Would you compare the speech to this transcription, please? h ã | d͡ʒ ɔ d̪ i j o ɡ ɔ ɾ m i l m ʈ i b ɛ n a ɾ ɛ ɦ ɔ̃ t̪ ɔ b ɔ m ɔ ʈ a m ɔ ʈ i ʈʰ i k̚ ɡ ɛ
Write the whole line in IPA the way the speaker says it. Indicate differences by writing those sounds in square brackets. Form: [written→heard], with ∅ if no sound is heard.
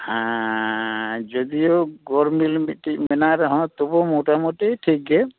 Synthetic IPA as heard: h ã | d͡ʒ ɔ d̪ i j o ɡ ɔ ɾ m i l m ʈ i [b→m] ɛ n a ɾ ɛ ɦ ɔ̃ t̪ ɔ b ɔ m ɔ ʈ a m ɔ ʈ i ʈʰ i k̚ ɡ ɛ